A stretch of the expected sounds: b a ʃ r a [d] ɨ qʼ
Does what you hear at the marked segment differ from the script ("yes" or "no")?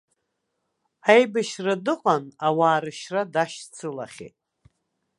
no